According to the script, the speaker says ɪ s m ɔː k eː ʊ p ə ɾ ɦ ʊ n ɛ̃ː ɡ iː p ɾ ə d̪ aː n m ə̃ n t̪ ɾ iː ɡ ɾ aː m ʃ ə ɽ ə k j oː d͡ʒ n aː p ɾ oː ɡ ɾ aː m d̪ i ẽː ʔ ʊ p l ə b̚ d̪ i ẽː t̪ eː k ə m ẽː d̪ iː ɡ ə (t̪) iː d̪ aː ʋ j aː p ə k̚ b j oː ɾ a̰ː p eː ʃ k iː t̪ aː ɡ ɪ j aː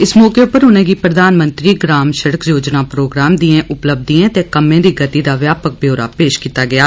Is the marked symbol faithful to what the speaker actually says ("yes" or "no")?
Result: yes